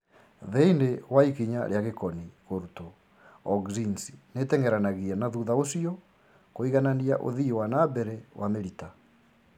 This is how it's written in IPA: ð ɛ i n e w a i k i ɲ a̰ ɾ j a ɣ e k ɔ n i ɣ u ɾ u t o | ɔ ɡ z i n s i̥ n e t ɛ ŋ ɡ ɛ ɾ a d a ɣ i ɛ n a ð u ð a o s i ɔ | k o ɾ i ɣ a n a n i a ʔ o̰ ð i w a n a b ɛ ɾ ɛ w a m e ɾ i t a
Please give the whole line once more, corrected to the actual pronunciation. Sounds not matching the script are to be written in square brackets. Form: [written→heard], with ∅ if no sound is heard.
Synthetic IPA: ð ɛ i n e w a i k i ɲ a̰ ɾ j a ɣ e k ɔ n i ɣ [u→o] ɾ u t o | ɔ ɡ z i n s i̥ n e t ɛ ŋ ɡ ɛ ɾ a [d→n] a ɣ i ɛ n a ð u ð a o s i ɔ | k o [ɾ→∅] i ɣ a n a n i a ʔ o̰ ð i w a n a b ɛ ɾ ɛ w a m e ɾ i t a

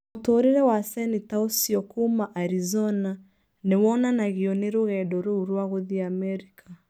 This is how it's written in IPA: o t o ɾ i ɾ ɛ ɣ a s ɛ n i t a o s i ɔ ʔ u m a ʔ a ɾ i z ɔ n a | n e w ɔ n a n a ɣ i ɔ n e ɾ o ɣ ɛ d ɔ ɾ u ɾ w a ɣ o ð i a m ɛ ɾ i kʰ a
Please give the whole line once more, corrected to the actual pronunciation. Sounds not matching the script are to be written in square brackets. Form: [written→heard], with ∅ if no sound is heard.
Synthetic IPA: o t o ɾ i ɾ ɛ [ɣ→w] a s ɛ n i t a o s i ɔ [ʔ→k] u m a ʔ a ɾ i z ɔ n a | n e w ɔ n a n a ɣ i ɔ n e ɾ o ɣ ɛ d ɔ ɾ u ɾ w a ɣ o ð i a m ɛ ɾ i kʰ a

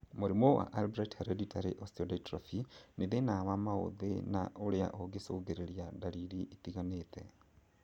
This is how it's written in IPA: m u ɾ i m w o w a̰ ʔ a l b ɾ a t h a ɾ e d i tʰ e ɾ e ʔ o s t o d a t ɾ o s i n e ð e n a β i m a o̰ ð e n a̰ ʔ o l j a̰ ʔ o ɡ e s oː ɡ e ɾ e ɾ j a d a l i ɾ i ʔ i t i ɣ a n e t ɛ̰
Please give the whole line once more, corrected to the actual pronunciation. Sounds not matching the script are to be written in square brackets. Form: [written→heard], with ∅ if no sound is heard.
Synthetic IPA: m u ɾ i m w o w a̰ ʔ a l b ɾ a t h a ɾ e d i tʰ [e→a] ɾ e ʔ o s t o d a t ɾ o [s→f] i n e ð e n a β [i→a] m a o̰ ð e n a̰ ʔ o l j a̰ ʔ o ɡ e s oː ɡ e ɾ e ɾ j a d a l i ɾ i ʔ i t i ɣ a n e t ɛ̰

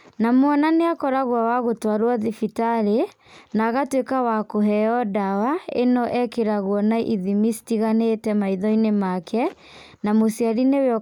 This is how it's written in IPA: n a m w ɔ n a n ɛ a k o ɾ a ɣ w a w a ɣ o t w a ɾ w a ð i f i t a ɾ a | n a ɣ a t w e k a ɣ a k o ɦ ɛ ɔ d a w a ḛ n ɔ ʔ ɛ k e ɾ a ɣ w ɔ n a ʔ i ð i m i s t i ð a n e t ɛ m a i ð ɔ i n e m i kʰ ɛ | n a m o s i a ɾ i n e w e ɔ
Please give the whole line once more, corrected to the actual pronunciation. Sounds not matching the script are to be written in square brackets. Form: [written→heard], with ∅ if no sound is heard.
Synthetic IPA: n a m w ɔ n a n [ɛ→e] a k [o→ɔ] ɾ a ɣ w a w a ɣ o t w a ɾ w a ð i f i t a ɾ [a→e] | n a ɣ a t w e k a [ɣ→w] a k o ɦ ɛ ɔ d a w a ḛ n ɔ ʔ ɛ k e ɾ a ɣ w ɔ n a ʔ i ð i m i s t i [ð→ɣ] a n e t ɛ m a i ð ɔ i n e m [i→a] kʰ ɛ | n a m o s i a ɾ i n e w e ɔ

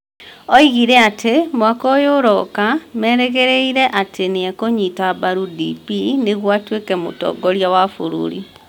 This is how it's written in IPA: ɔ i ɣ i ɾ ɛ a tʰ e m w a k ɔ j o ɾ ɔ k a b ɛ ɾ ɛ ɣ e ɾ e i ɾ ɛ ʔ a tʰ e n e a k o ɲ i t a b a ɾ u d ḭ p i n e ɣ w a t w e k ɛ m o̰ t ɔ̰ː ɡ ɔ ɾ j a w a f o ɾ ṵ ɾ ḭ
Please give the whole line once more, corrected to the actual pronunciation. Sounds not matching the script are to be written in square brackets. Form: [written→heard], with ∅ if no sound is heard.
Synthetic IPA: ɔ i ɣ i ɾ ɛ a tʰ e m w a k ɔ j o ɾ ɔ k a [b→m] ɛ ɾ ɛ ɣ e ɾ e i ɾ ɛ ʔ a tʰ e n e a k o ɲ i t a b a ɾ u d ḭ p i n e ɣ w a t w e k ɛ m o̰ t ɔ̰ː ɡ ɔ ɾ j a w a f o ɾ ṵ ɾ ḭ

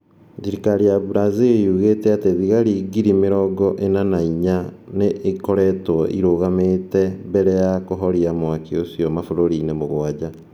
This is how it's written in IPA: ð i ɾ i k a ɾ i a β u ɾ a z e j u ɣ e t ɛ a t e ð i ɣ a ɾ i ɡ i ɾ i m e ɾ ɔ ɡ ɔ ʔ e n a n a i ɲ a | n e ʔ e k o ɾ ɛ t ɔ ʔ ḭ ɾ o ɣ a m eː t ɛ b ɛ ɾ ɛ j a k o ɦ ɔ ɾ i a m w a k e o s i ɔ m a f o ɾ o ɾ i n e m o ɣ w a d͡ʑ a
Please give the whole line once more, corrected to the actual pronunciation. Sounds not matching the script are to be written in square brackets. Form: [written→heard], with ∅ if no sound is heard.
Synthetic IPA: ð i ɾ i k a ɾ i a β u ɾ a z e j u ɣ e t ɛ a t e ð i ɣ a ɾ i ɡ i ɾ i m e ɾ ɔ ɡ ɔ ʔ e n a n a i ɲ a | n e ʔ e k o ɾ ɛ t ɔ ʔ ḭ ɾ o ɣ a m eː t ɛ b ɛ ɾ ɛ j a k o ɦ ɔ ɾ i a m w a k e o s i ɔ m a f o ɾ o ɾ i n e m o ɣ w a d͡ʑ a

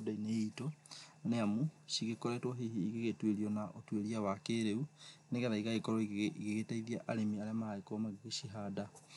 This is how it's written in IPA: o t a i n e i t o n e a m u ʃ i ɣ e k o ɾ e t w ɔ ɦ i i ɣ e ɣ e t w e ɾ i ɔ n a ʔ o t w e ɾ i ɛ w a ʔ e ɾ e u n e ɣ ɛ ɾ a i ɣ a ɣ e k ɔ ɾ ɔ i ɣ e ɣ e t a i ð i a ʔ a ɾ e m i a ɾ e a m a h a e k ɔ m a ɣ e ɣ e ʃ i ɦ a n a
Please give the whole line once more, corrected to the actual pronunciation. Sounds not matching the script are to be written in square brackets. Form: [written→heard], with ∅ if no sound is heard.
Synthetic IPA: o [t→d] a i n e i t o n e a m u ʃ i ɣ e k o ɾ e t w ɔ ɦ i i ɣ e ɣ e t w e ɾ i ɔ n a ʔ o t w e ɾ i [ɛ→a] w a [ʔ→k] e ɾ e u n e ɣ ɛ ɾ a i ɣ a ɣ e k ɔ ɾ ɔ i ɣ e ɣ e t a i ð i a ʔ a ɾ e m i a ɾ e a m a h a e k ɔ m a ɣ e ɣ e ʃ i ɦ a [n→d] a

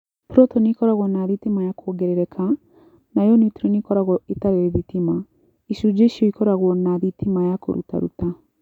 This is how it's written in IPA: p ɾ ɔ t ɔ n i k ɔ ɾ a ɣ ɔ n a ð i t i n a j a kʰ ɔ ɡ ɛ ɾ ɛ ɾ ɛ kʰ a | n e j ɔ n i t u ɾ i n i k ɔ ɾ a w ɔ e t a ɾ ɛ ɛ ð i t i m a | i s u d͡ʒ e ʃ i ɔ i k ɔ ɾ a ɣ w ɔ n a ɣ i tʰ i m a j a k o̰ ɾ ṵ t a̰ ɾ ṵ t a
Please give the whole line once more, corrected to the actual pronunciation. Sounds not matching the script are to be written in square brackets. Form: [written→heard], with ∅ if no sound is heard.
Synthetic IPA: p ɾ ɔ t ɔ n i k ɔ ɾ a ɣ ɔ n a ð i t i [n→m] a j a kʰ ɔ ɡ ɛ ɾ ɛ ɾ ɛ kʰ a | n [e→a] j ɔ n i t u ɾ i n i k ɔ ɾ a [w→ɣ] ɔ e t a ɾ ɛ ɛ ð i t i m a | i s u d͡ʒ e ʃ i ɔ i k ɔ ɾ a ɣ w ɔ n a [ɣ→ð] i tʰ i m a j a k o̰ ɾ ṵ t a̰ ɾ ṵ t a

